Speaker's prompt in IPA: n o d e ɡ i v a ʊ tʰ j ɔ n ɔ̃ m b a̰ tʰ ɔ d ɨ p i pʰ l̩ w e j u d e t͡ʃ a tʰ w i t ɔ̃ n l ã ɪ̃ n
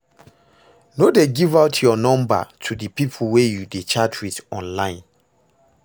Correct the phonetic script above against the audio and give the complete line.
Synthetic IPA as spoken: n o d e ɡ i v a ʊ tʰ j ɔ n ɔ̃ m b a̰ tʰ u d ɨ p i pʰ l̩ w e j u d e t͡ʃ a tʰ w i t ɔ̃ n l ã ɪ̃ n